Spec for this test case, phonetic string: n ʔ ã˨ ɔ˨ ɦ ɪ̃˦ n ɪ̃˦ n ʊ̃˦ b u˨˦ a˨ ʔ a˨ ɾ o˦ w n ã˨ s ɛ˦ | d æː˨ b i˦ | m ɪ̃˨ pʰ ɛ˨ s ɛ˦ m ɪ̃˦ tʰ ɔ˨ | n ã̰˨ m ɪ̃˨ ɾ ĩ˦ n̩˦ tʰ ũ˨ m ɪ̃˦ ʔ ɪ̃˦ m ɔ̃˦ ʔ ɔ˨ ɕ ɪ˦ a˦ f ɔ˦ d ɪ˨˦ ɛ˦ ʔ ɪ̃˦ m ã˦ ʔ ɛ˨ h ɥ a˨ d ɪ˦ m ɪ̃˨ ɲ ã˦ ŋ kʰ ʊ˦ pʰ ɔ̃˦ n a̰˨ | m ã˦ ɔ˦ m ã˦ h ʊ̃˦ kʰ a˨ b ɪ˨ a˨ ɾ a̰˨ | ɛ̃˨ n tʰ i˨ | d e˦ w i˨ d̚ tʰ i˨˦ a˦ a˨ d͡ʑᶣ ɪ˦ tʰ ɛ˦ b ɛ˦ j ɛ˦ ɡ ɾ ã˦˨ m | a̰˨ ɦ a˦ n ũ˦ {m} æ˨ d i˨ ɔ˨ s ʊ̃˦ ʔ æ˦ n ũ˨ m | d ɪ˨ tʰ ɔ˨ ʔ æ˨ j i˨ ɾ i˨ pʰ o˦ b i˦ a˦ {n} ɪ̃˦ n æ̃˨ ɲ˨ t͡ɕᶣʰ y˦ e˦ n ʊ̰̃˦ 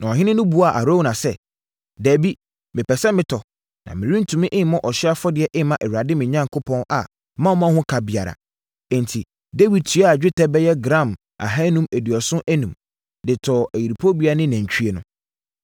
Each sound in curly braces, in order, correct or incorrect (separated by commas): correct, correct